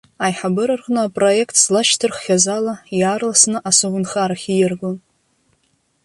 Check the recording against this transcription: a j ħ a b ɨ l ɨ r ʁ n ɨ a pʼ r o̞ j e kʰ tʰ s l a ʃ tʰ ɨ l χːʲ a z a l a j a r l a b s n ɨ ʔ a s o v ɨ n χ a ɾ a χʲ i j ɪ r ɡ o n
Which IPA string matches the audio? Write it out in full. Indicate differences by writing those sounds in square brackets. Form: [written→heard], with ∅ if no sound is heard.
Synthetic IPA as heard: a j ħ a b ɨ [l→ɾ] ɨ r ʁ n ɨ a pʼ r o̞ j e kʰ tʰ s l a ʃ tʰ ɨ [l→r] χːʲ a z a l a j a r l a [b→∅] s n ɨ ʔ a s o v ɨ n χ a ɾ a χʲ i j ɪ r ɡ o n